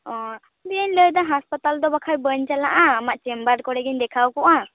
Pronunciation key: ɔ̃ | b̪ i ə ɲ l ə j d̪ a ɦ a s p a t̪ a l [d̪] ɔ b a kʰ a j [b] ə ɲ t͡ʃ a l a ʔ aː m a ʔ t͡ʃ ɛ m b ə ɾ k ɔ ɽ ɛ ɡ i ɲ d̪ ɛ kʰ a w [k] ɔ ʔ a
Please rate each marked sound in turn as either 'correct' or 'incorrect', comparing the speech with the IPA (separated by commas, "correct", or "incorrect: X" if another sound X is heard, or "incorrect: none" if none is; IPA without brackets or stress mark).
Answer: correct, correct, correct